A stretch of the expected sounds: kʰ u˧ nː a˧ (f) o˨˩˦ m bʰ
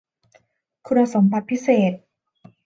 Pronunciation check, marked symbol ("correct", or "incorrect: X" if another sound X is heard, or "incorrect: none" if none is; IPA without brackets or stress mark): incorrect: s